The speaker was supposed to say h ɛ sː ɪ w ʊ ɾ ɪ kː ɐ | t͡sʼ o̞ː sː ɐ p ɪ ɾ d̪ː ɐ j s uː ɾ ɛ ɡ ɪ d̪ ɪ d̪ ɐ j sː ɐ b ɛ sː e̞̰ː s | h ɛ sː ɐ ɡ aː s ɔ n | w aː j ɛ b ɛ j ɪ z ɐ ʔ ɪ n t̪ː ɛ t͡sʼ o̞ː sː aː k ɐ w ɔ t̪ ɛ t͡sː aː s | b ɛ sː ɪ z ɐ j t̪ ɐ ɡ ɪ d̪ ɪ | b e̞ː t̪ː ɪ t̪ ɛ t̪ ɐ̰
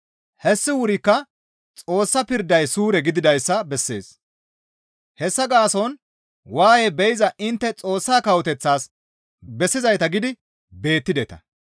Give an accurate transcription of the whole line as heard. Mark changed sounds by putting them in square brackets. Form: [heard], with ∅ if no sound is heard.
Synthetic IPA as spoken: h ɛ sː ɪ w ʊ ɾ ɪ kː ɐ | t͡sʼ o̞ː sː ɐ p ɪ ɾ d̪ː ɐ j s uː ɾ ɛ ɡ ɪ d̪ ɪ d̪ ɐ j sː ɐ b ɛ sː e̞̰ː s | h ɛ sː ɐ ɡ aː s ɔ n | w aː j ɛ b ɛ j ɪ z ɐ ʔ ɪ n t̪ː ɛ t͡sʼ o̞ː sː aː k ɐ w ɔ t̪ ɛ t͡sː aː s | b ɛ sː ɪ z ɐ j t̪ ɐ ɡ ɪ d̪ ɪ | b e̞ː t̪ː ɪ [d̪] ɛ t̪ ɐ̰

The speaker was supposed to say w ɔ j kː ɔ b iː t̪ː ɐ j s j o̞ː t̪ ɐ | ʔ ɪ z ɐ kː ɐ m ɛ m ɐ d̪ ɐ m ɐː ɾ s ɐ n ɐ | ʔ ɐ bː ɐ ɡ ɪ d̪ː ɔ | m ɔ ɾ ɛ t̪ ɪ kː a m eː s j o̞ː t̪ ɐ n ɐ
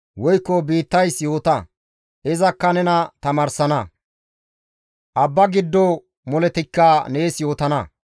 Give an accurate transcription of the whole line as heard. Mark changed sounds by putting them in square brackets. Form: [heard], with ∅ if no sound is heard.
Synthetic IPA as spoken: w ɔ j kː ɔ b iː t̪ː ɐ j s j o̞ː t̪ ɐ | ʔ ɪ z ɐ kː ɐ [n] ɛ [n] ɐ [t̪] ɐ m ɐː ɾ s ɐ n ɐ | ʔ ɐ bː ɐ ɡ ɪ d̪ː ɔ | m ɔ [l] ɛ t̪ ɪ kː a [n] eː s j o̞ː t̪ ɐ n ɐ

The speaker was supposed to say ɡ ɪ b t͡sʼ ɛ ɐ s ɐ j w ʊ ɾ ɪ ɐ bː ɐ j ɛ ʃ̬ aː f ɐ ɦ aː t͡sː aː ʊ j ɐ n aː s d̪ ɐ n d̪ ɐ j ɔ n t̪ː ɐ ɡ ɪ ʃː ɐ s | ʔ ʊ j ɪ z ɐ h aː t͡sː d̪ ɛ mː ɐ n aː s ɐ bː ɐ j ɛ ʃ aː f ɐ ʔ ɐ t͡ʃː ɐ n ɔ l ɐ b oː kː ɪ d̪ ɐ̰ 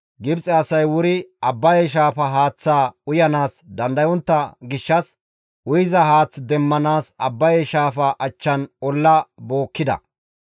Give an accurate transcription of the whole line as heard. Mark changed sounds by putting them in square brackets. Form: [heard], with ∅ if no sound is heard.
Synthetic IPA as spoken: ɡ ɪ b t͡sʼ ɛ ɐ s ɐ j w ʊ ɾ ɪ ɐ bː ɐ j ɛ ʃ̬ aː f ɐ ɦ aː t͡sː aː ʊ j ɐ n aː s d̪ ɐ n d̪ ɐ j ɔ n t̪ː ɐ ɡ ɪ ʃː ɐ s | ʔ ʊ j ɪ z ɐ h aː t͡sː d̪ ɛ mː ɐ n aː s ɐ bː ɐ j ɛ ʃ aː f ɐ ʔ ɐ t͡ʃː ɐ n ɔ [lː] ɐ b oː kː ɪ d̪ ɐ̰

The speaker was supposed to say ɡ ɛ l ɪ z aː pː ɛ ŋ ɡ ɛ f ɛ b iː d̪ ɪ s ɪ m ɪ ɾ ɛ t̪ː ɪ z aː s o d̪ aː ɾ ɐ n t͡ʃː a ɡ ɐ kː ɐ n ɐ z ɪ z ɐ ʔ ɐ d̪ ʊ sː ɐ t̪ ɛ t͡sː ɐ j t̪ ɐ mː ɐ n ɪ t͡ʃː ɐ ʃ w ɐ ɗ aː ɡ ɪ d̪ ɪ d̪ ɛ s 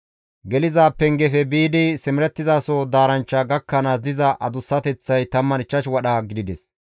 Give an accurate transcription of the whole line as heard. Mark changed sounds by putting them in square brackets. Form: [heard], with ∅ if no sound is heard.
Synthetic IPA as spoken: ɡ ɛ l ɪ z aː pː ɛ ŋ ɡ ɛ f ɛ b iː d̪ ɪ s ɪ m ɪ ɾ ɛ t̪ː ɪ z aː s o d̪ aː ɾ ɐ n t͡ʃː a ɡ ɐ kː ɐ n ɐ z ɪ z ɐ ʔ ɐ d̪ ʊ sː ɐ t̪ ɛ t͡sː ɐ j t̪ ɐ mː ɐ n ɪ t͡ʃː ɐ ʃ w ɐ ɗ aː ɡ ɪ d̪ ɪ d̪ ɛ s

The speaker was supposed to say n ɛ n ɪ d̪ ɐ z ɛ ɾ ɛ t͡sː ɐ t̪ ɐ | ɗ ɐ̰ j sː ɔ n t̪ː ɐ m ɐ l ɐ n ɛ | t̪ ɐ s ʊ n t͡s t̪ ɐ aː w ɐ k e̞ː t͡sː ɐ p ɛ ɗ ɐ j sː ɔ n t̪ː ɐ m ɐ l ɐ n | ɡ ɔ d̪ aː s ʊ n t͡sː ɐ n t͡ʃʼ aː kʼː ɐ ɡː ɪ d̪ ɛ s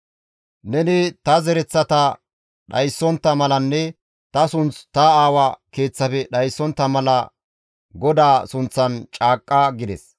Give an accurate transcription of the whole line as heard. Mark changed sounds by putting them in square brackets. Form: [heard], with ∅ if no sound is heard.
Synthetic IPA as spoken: n ɛ n ɪ [t̪] ɐ z ɛ ɾ ɛ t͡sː ɐ t̪ ɐ | ɗ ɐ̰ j sː ɔ n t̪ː ɐ m ɐ l ɐ [nː] ɛ | t̪ ɐ s ʊ n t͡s t̪ ɐ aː w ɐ k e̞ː t͡sː ɐ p ɛ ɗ ɐ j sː ɔ n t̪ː ɐ m ɐ l ɐ [∅] | ɡ ɔ d̪ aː s ʊ n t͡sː ɐ n t͡ʃʼ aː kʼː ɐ [ɡ] ɪ d̪ ɛ s

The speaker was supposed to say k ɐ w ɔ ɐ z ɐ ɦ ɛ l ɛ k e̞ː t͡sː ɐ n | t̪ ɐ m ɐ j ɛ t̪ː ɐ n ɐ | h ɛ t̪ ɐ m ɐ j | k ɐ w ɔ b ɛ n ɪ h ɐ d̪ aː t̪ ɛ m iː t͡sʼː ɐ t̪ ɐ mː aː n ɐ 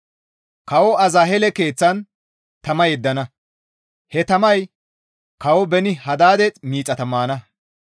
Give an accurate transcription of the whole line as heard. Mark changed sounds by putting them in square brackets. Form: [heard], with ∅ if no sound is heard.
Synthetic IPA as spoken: k ɐ w ɔ ɐ z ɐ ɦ ɛ l ɛ k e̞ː t͡sː ɐ n | t̪ ɐ m ɐ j ɛ [d̪ː] ɐ n ɐ | h ɛ t̪ ɐ m ɐ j | k ɐ w ɔ b ɛ n ɪ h ɐ d̪ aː [d̪] ɛ m iː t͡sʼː ɐ t̪ ɐ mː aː n ɐ

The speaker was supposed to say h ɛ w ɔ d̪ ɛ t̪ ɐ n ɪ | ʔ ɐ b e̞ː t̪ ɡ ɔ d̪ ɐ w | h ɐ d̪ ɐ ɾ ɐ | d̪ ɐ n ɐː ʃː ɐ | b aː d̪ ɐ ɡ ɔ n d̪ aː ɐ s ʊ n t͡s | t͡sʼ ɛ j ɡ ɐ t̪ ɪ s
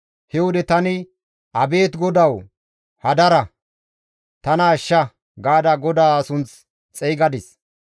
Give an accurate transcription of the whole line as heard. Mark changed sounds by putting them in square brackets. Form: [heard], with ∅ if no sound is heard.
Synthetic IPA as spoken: h ɛ w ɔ d̪ ɛ t̪ ɐ n ɪ | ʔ ɐ b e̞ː t̪ ɡ ɔ d̪ ɐ w | h ɐ d̪ ɐ ɾ ɐ | [t̪] ɐ n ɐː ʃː ɐ | [ɡ] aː d̪ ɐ ɡ ɔ [∅] d̪ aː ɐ s ʊ n t͡s | t͡sʼ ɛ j ɡ ɐ [d̪] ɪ s

